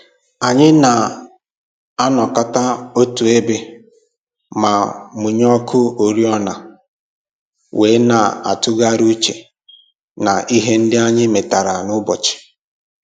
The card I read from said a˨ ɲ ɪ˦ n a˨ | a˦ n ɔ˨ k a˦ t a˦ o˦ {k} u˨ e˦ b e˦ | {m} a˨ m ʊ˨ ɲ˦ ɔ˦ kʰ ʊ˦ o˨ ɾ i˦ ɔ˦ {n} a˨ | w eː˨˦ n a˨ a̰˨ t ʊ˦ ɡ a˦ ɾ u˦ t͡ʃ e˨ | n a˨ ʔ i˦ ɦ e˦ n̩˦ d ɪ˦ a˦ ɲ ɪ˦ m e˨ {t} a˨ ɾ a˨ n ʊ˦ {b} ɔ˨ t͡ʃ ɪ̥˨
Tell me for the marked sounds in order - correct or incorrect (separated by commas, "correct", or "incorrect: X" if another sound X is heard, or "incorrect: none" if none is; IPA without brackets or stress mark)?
incorrect: t, correct, correct, correct, correct